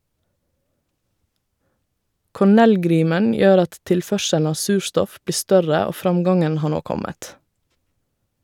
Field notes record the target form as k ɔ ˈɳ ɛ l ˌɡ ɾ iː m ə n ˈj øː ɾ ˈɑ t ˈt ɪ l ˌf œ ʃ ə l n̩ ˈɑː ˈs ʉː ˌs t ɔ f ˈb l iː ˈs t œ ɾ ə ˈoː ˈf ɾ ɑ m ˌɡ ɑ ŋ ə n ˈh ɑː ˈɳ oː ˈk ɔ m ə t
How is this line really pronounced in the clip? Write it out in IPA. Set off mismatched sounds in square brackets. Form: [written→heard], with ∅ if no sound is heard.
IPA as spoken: k ɔ ˈɳ ɛ l ˌɡ ɾ iː m ə n ˈj øː ɾ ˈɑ t ˈt ɪ l ˌf œ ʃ ə l n̩ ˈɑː ˈs ʉː [ˌs→ˌʃ] t ɔ f ˈb l iː ˈs t œ ɾ ə ˈoː ˈf ɾ ɑ m ˌɡ ɑ ŋ ə n ˈh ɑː ˈɳ oː ˈk ɔ m ə t